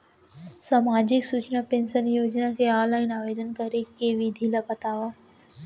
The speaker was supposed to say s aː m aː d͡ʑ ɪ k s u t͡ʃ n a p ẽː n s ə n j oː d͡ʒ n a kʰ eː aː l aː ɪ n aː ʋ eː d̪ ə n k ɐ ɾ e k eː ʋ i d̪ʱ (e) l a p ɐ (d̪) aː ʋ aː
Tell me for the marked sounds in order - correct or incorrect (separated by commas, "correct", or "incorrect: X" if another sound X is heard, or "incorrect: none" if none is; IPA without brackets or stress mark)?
incorrect: i, incorrect: t̪